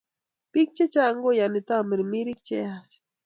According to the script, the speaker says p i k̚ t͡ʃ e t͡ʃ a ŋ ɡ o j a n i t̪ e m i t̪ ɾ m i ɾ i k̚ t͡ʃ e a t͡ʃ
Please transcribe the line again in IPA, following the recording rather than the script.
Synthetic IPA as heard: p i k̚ t͡ʃ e t͡ʃ a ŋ ɡ o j a n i t̪ a m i ɾ m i ɾ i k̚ t͡ʃ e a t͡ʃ